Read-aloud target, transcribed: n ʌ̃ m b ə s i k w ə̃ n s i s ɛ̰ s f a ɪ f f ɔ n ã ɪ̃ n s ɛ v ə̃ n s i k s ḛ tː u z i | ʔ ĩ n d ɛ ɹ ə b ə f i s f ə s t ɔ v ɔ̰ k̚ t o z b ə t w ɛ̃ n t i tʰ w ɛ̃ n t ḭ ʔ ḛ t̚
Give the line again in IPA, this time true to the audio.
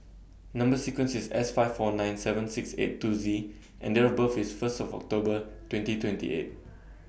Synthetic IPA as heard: n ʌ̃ m b ə s i k w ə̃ n s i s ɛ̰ s f a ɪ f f ɔ n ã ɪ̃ n s ɛ v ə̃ n s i k s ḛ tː u z i | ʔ ɛ̃ n d ɛ ɹ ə b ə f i s f ə s t ɔ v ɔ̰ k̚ t o b ə t w ɛ̃ n t i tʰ w ɛ̃ n t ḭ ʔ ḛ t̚

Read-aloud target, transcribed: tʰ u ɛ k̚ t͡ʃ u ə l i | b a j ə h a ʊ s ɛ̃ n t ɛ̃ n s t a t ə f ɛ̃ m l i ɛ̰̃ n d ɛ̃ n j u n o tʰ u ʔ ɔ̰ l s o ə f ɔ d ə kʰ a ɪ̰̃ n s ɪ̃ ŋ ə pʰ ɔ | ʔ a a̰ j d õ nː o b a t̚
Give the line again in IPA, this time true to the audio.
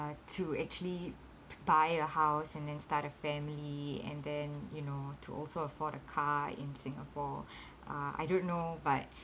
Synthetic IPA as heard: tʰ u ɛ k̚ t͡ʃ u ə l i | b a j ə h a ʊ s ɛ̃ n d ɛ̃ n s t a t ə f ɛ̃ m l i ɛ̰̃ n d ɛ̃ n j u n o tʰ u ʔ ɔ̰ l s o ə f ɔ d ə kʰ a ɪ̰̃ n s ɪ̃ ŋ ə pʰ ɔ | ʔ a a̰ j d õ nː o b a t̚

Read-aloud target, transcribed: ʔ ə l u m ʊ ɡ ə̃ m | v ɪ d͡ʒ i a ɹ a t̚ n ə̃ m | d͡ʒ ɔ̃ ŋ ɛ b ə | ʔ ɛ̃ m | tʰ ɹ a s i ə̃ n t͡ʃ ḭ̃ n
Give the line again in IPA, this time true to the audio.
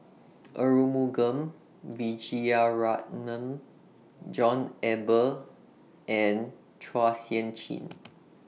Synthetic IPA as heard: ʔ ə ɹ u m u ɡ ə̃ m | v i d͡ʒ i a ɹ a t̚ n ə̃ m | d͡ʒ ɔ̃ n ɛ b ə | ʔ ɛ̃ n | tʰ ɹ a s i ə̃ n t͡ʃ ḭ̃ n

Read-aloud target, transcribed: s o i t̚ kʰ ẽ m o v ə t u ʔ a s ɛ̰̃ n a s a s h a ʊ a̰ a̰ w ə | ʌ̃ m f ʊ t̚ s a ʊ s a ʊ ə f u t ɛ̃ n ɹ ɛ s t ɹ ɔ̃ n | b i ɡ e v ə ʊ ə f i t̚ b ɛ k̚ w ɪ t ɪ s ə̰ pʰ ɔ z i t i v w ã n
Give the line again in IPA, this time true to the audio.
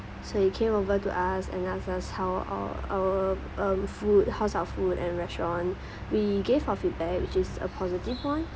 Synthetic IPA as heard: s o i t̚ kʰ ẽ m o v ə t u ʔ a s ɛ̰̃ n a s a s h a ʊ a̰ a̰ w ə | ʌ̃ m f u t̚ h a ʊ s a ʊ ə f u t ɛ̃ n ɹ ɛ s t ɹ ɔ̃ n | w i ɡ e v a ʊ ə f i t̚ b ɛ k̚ w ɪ t͡ʃ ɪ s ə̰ pʰ ɔ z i t i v w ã n

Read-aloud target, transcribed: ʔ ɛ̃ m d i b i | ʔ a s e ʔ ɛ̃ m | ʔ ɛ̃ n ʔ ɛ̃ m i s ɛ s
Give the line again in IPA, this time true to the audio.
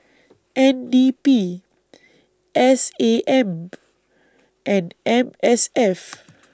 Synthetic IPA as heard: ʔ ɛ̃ n d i p i | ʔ ɛ s e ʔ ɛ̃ m | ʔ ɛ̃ n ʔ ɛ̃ m ɛ s ɛ f

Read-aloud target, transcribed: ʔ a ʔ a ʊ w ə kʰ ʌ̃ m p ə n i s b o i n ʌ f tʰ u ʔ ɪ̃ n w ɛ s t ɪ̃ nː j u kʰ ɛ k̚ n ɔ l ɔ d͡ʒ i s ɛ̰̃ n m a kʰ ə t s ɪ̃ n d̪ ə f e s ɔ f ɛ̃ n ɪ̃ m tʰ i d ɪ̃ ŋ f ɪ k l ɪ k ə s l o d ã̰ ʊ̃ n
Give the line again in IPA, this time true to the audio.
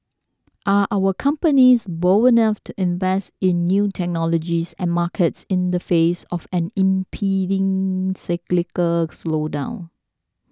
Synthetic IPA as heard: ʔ a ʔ a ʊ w ə kʰ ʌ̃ m p ə n i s b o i n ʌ f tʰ u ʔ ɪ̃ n v ɛ s t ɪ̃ nː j u tʰ ɛ k̚ n ɔ l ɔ d͡ʒ i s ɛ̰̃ n m a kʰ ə t s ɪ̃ n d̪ ə f e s ɔ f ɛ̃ n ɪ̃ m pʰ i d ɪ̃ ŋ s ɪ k l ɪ k ə s l o d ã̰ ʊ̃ n

